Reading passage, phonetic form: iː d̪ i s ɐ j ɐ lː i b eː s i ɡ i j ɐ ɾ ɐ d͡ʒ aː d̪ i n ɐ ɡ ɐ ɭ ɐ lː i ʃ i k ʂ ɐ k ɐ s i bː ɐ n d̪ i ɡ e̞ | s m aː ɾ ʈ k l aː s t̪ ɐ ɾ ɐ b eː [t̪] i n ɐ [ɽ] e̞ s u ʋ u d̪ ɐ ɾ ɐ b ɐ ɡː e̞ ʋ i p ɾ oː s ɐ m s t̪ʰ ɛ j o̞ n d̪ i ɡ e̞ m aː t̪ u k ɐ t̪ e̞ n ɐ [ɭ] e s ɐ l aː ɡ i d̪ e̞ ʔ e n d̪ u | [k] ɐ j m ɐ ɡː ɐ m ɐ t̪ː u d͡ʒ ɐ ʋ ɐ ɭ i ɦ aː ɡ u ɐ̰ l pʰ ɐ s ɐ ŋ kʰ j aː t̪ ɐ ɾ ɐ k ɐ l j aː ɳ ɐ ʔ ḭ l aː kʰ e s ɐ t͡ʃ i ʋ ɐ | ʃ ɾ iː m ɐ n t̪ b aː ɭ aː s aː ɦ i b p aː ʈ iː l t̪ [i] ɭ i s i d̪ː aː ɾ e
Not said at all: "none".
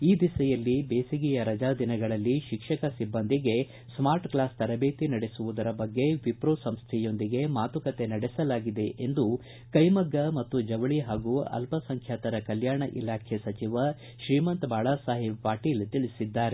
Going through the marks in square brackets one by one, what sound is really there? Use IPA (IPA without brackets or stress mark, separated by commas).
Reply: t̪, ɽ, ɽ, k, i